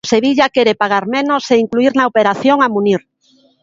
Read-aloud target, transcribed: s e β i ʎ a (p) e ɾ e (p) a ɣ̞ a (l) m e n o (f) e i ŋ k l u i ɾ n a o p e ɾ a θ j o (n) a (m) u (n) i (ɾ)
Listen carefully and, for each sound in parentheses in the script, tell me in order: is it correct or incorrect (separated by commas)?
incorrect, correct, incorrect, incorrect, incorrect, correct, correct, correct